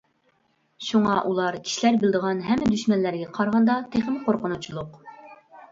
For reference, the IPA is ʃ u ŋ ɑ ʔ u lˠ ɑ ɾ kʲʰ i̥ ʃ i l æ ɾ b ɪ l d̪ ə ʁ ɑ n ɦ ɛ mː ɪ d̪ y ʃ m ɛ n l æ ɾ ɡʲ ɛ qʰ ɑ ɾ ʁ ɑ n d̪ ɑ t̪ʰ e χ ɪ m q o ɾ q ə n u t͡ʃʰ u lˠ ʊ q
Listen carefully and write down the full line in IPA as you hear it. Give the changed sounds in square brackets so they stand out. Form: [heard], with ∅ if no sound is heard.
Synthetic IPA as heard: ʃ u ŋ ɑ ʔ u lˠ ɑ ɾ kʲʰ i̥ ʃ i l æ ɾ b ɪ l d̪ ə ʁ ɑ n ɦ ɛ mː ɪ d̪ y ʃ m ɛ n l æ ɾ ɡʲ ɛ qʰ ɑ ɾ ʁ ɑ n d̪ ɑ t̪ʰ e χ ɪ m q o ɾ q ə n u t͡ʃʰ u lˠ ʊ q